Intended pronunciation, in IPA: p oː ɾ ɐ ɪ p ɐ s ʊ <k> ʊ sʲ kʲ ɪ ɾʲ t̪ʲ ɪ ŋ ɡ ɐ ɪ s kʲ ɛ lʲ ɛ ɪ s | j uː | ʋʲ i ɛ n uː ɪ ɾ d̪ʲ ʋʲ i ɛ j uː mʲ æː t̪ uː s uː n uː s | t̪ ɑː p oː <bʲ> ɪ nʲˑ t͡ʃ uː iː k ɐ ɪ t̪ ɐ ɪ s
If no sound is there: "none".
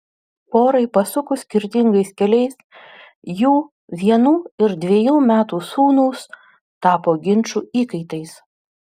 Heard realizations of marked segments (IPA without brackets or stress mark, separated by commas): k, ɡʲ